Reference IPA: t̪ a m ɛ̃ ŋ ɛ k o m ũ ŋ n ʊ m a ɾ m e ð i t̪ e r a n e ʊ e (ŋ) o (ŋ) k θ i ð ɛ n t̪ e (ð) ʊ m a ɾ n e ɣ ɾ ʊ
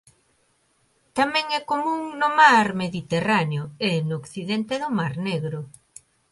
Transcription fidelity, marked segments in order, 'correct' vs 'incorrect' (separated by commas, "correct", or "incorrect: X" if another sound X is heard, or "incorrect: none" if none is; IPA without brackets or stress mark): incorrect: n, incorrect: none, correct